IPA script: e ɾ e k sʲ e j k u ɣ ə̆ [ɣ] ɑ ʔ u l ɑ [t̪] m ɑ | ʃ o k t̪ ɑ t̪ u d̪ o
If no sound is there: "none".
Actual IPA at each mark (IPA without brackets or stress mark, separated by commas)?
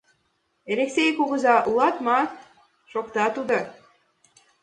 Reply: z, t̪